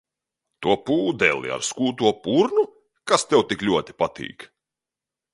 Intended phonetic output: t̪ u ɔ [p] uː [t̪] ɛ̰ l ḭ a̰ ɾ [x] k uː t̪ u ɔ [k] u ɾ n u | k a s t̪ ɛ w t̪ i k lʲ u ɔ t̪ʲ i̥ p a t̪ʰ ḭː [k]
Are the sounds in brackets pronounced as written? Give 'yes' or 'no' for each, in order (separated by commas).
yes, no, no, no, yes